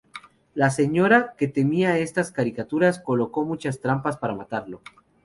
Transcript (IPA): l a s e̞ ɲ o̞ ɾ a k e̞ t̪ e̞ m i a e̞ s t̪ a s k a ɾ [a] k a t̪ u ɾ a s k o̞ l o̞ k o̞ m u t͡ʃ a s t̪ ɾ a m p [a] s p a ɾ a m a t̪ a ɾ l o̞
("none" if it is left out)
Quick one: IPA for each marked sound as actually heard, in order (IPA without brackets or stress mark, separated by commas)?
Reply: i, a